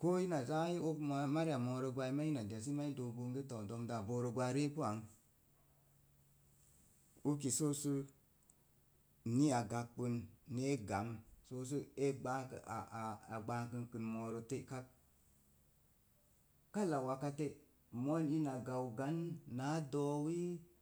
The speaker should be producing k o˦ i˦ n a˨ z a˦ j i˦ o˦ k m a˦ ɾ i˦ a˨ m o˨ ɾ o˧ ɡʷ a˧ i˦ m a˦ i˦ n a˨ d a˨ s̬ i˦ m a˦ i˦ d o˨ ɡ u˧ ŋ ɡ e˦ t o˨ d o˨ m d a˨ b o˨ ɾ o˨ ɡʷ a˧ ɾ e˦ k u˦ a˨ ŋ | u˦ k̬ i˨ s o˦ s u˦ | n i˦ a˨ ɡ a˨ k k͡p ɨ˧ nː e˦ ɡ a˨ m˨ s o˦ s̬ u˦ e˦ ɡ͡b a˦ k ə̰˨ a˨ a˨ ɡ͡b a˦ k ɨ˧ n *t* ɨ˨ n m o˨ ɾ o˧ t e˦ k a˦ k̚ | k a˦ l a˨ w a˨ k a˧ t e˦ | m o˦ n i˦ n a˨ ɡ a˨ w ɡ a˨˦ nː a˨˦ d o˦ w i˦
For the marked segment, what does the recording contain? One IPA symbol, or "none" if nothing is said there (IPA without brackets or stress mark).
k